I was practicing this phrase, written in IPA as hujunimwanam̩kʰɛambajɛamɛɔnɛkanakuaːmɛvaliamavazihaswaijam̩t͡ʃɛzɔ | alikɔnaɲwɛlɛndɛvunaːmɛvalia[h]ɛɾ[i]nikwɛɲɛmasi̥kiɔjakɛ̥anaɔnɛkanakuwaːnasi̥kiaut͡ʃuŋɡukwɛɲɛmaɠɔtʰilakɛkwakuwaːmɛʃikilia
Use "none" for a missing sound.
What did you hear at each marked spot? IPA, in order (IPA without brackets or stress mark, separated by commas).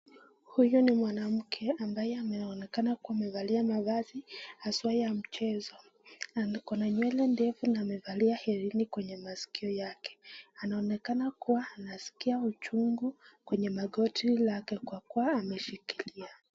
h, i